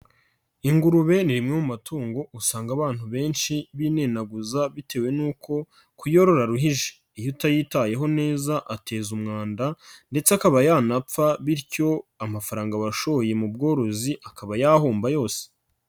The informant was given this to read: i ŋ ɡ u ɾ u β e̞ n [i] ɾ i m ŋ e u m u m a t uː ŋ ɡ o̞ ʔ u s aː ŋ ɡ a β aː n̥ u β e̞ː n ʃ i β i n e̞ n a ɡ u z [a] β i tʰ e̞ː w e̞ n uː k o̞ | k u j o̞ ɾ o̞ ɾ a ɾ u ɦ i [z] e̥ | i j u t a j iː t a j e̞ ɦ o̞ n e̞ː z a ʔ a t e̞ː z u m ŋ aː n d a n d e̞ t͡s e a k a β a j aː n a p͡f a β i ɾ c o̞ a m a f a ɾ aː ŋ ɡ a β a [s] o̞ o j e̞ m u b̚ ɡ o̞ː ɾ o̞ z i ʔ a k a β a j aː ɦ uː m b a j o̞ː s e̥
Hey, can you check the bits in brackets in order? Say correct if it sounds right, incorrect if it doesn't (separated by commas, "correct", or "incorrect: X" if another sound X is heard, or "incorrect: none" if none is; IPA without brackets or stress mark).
correct, correct, incorrect: ʒ, incorrect: ʃ